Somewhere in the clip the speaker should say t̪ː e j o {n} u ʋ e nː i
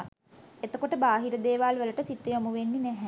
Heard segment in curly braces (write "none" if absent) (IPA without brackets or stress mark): m